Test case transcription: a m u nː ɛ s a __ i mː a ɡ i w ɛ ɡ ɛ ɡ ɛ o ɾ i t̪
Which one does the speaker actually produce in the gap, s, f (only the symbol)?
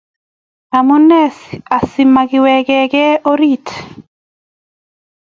s